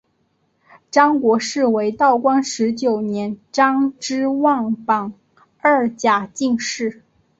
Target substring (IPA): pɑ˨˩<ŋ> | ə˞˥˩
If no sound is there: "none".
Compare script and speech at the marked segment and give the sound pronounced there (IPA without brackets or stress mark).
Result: ŋ